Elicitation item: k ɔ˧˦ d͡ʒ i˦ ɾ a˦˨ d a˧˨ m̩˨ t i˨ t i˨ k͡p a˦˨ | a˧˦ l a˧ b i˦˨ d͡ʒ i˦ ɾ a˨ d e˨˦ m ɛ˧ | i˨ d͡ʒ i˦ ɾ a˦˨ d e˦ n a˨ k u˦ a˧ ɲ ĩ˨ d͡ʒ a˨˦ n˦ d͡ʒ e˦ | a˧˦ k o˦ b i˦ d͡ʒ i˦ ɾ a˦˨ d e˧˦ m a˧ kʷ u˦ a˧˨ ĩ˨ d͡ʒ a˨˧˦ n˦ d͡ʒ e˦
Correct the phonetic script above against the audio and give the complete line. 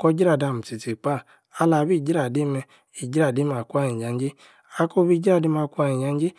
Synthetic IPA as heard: k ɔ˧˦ d͡ʒ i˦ ɾ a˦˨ d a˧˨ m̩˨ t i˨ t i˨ k͡p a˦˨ | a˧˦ l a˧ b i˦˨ d͡ʒ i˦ ɾ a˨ d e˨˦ m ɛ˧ | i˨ d͡ʒ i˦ ɾ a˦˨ d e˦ m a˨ k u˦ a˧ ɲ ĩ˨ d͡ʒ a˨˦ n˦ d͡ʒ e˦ | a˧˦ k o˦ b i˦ d͡ʒ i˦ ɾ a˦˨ d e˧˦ m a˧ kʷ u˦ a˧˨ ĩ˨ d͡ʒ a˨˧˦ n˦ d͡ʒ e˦